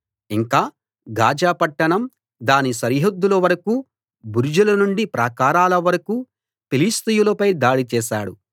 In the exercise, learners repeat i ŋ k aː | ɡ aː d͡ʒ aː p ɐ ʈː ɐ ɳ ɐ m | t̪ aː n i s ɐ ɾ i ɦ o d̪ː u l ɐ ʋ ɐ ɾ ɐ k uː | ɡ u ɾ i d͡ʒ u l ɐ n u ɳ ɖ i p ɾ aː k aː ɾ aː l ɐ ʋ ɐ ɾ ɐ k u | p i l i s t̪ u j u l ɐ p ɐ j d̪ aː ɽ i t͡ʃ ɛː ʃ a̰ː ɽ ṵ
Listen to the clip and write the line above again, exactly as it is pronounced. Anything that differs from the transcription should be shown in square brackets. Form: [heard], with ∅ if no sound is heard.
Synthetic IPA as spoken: i ŋ k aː | ɡ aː d͡ʒ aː p ɐ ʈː ɐ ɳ ɐ m | [d̪] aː n i s ɐ ɾ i ɦ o d̪ː u l ɐ ʋ ɐ ɾ ɐ k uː | [b] u ɾ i d͡ʒ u l ɐ n u ɳ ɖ i p ɾ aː k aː ɾ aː l ɐ ʋ ɐ ɾ ɐ k u | p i l i s t̪ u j u l ɐ p ɐ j d̪ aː ɽ i t͡ʃ ɛː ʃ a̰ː ɽ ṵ